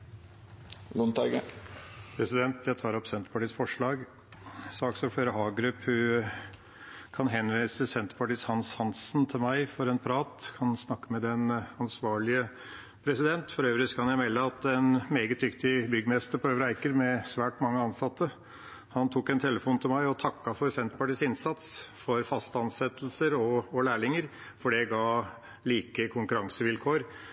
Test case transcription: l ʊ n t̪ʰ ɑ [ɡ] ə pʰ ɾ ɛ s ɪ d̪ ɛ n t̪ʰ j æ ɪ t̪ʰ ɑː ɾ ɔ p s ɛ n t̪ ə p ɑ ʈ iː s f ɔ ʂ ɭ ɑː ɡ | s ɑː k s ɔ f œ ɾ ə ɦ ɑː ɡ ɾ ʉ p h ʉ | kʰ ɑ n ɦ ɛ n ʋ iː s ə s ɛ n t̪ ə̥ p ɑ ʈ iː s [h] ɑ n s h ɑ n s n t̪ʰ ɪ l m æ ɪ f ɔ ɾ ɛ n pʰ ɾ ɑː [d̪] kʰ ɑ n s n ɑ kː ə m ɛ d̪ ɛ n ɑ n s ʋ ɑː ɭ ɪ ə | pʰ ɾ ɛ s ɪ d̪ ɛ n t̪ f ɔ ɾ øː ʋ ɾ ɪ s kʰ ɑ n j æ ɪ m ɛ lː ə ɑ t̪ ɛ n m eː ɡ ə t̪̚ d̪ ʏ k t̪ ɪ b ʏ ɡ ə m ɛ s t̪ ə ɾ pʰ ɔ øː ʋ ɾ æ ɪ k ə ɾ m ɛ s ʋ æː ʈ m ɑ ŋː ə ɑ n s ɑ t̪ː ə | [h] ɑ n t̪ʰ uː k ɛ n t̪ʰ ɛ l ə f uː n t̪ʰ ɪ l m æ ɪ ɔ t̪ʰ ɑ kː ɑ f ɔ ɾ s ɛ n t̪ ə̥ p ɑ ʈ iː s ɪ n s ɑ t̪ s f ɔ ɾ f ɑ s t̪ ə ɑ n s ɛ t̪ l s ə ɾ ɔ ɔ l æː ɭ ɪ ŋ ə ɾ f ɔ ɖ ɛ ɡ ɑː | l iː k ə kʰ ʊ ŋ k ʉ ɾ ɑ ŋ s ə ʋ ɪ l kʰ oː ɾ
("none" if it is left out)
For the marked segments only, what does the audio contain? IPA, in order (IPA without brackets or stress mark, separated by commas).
ɡ, h, t̪, h